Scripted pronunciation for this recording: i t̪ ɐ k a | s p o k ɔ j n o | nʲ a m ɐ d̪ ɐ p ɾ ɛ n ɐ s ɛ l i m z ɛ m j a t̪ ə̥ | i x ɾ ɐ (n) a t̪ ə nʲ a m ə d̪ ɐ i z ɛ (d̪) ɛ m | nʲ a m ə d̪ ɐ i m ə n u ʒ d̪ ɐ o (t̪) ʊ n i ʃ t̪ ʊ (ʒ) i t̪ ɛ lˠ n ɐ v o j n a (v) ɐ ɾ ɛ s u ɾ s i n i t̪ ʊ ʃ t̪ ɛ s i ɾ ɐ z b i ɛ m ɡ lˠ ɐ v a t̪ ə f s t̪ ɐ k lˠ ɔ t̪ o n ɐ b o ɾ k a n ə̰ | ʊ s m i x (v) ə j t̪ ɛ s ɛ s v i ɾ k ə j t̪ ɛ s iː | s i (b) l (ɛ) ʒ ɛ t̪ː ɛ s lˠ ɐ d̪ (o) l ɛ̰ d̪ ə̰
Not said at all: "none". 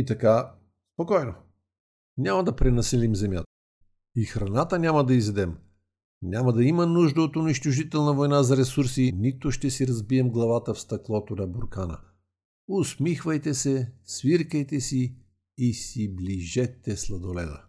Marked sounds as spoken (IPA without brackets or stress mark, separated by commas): n, d̪, t̪, ʒ, z, v, b, i, o